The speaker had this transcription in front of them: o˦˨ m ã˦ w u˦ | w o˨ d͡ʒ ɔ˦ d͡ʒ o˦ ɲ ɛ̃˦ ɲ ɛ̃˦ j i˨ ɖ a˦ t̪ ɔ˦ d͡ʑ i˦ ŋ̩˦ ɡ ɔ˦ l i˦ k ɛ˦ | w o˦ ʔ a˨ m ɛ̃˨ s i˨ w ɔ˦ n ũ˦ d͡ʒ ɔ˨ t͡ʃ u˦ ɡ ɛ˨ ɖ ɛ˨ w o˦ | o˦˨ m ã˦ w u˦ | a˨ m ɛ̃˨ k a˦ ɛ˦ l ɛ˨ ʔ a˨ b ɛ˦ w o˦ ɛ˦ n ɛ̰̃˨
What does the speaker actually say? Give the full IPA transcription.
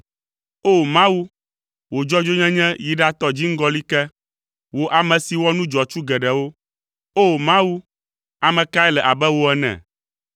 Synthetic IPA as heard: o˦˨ m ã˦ w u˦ | w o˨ d͡ʒ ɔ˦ d͡ʒ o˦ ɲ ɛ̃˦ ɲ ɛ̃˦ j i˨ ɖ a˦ t̪ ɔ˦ d͡ʑ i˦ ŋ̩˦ ɡ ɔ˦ l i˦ k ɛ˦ | w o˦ ʔ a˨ m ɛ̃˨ s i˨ w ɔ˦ n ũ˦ d͡ʒ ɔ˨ t͡ʃ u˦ ɡ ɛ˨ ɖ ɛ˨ w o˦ | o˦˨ m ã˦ w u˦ | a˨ m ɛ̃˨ k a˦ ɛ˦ l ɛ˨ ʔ a˨ b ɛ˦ w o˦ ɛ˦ n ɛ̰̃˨